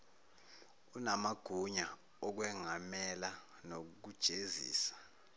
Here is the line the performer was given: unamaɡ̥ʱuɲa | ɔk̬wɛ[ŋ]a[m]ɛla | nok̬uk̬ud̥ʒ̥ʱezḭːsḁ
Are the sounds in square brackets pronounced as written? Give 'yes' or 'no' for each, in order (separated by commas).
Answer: yes, yes